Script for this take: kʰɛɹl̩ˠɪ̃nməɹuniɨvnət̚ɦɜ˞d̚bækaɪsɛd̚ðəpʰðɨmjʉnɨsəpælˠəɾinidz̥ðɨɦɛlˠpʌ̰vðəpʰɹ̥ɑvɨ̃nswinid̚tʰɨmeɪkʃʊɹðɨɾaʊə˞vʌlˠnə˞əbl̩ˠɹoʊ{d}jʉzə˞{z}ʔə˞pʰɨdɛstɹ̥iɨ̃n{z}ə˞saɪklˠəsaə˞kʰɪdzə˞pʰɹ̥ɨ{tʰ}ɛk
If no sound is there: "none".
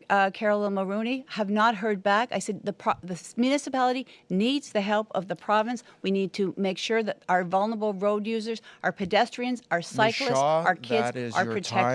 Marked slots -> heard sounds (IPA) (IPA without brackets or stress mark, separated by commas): d, z, z, tʰ